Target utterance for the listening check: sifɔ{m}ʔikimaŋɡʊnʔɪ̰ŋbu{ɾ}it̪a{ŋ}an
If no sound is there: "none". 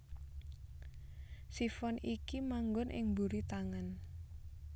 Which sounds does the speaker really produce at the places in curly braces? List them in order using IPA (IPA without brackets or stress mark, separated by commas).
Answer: n, ɾ, ŋ